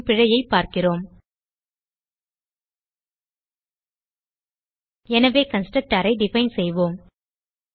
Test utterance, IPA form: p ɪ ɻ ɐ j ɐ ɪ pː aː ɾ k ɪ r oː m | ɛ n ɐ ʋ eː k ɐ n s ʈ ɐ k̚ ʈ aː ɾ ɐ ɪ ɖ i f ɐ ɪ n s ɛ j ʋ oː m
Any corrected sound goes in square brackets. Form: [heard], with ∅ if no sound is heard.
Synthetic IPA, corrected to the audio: p ɪ ɻ ɐ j ɐ ɪ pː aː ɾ k ɪ r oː m | ɛ n ɐ ʋ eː k ɐ n s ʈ ɐ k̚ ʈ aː ɾ ɐ ɪ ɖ [ɪ] f ɐ ɪ n s ɛ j ʋ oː m